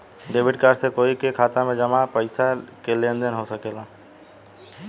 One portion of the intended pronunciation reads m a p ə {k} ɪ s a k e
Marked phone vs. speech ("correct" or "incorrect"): incorrect